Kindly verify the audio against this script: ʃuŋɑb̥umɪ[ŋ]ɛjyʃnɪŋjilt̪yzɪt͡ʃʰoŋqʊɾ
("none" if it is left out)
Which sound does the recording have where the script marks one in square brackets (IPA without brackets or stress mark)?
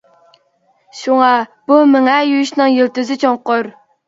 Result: ŋ